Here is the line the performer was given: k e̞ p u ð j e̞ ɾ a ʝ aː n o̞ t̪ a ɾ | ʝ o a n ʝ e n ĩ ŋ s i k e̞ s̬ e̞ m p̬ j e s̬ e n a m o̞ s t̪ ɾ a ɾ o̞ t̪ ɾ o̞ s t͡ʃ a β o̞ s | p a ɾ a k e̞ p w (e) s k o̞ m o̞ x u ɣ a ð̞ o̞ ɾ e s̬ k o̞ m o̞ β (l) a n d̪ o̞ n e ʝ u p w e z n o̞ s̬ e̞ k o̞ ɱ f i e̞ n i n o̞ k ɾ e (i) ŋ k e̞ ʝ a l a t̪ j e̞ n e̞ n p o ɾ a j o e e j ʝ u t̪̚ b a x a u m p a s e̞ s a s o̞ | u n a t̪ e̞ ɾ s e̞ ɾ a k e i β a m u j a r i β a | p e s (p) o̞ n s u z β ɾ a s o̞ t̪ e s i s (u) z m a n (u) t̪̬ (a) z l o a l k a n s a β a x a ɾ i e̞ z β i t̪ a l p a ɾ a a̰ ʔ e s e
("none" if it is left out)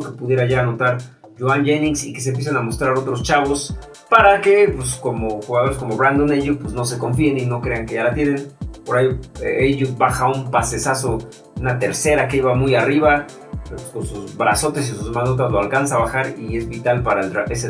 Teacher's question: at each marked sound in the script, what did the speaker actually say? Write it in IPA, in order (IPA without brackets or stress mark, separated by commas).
e, ɾ, a, k, u, o, a